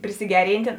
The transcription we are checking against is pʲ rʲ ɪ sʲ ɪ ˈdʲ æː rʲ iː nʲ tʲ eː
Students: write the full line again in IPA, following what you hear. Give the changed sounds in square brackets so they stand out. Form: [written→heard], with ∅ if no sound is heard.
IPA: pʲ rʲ ɪ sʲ ɪ [ˈdʲ→ˈɡʲ] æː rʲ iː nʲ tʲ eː